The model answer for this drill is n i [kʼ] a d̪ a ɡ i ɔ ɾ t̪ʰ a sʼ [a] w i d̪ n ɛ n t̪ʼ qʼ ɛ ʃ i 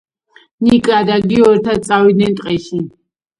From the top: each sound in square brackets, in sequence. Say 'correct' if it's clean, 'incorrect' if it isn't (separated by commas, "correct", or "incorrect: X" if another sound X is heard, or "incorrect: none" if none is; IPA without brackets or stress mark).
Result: correct, correct